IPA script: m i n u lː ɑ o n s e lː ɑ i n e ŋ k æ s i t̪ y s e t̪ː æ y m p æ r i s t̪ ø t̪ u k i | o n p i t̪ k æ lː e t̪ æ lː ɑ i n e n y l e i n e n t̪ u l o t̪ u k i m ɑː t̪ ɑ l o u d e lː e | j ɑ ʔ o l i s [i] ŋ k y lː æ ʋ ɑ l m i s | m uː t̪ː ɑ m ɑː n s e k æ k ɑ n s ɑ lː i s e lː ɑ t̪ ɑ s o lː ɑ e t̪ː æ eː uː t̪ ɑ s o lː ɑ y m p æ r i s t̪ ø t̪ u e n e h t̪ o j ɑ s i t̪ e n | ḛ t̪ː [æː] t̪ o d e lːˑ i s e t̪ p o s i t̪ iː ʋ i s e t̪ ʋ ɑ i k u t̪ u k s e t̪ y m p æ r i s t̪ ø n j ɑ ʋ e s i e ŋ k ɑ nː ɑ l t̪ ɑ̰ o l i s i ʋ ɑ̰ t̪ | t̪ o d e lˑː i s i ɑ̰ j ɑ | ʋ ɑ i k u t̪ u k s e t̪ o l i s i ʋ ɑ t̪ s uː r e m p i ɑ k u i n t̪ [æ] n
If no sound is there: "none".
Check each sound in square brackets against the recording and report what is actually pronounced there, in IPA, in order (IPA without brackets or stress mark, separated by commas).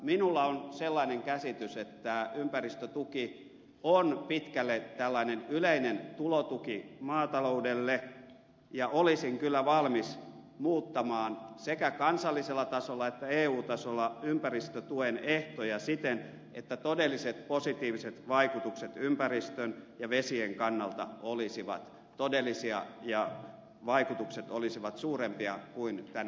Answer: i, æ, æ